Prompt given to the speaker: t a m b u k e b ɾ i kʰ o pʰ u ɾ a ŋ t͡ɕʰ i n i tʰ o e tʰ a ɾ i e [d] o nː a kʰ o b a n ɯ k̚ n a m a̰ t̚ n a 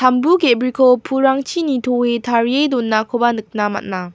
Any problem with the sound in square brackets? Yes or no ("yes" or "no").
no